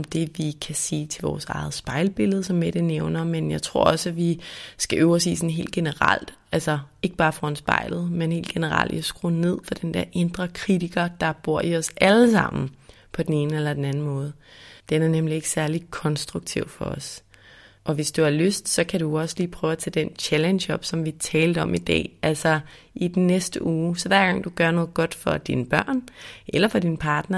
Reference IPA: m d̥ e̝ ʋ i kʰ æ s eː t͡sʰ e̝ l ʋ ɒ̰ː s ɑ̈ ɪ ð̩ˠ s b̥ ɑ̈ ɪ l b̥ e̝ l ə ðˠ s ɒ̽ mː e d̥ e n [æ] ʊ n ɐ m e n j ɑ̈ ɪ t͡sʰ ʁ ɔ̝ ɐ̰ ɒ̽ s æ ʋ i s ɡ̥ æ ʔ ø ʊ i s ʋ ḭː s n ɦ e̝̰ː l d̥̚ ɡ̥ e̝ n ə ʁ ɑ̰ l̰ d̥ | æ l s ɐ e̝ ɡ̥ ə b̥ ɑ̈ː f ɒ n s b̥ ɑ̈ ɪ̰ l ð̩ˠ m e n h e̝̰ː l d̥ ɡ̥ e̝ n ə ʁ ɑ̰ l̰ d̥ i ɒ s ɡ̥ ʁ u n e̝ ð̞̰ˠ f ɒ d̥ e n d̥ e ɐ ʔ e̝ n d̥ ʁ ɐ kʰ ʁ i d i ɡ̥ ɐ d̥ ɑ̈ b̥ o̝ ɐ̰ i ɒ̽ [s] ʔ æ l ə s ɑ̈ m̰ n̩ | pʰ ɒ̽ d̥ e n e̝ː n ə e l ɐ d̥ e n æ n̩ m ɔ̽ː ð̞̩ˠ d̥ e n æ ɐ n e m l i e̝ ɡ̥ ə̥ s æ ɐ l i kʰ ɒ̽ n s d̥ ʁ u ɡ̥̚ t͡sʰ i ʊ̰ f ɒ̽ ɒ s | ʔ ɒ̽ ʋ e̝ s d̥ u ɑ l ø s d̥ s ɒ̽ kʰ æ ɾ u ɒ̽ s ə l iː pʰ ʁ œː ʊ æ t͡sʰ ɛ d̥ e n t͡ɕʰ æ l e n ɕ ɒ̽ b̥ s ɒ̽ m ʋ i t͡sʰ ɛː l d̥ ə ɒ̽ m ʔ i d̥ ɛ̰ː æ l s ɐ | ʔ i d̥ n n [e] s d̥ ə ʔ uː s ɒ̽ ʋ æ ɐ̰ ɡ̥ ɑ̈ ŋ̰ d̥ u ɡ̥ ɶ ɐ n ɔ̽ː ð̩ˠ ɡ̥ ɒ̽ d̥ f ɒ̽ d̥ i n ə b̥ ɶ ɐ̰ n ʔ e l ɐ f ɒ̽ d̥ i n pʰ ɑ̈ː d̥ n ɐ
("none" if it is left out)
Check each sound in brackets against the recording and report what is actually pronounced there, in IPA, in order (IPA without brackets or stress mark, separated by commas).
e, s, e